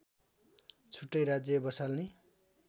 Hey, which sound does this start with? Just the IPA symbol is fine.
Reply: t͡sʰ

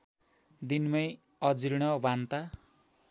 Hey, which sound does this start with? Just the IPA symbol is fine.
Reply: d̪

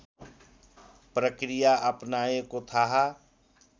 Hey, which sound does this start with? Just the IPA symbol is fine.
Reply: p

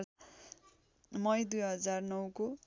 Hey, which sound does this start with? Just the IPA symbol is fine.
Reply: m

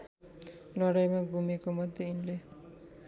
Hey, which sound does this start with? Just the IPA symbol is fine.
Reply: l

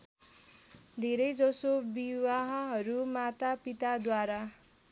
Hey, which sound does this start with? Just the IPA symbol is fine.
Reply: d̪ʱ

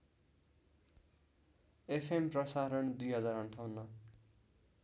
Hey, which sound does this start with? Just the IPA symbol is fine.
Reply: e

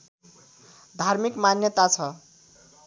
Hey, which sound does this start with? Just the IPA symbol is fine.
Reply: d̪ʱ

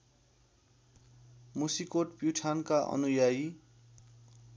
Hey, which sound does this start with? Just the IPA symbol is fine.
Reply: m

